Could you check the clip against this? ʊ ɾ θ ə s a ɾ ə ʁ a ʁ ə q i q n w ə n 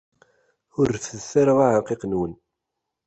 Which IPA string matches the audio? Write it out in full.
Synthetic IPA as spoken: ʊ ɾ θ ə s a ɾ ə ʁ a ʕ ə q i q n w ə n